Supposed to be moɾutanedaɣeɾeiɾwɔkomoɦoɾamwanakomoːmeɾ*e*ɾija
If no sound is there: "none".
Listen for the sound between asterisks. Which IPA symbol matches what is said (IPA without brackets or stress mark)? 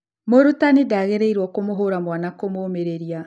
e